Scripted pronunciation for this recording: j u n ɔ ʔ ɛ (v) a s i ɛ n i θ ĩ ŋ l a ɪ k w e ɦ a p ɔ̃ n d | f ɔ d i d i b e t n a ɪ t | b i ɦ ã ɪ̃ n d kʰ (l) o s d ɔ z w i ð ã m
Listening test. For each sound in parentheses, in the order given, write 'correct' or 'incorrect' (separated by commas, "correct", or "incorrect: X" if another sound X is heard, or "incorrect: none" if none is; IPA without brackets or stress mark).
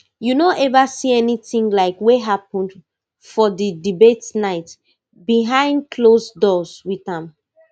correct, correct